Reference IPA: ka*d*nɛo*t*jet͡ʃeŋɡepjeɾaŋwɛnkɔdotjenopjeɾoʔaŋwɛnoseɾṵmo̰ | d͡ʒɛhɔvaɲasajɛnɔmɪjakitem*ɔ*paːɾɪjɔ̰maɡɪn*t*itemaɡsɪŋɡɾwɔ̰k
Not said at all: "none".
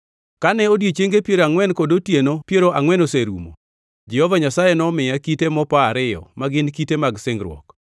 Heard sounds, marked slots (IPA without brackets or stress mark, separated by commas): none, d, ɔ, k